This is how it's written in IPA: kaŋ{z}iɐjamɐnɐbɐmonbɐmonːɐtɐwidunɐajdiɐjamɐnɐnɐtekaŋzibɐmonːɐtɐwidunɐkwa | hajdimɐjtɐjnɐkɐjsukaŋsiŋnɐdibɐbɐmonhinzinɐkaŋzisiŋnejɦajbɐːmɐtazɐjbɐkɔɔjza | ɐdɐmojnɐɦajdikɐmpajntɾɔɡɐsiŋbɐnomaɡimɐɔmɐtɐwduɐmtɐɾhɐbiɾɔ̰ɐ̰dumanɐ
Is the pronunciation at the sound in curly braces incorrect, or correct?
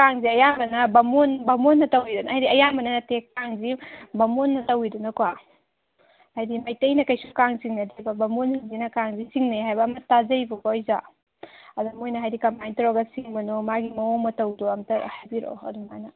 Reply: correct